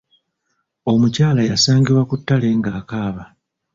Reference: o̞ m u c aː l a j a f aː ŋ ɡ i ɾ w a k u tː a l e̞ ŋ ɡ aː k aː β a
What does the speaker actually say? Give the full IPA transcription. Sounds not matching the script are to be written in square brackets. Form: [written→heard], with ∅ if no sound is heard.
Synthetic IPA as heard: o̞ m u c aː l a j a [f→s] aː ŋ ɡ i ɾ w a k u tː a l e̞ ŋ ɡ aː k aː β a